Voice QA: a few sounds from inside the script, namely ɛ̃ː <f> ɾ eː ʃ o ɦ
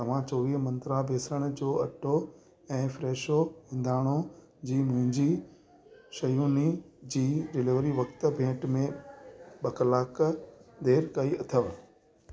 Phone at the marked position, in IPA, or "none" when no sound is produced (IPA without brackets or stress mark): f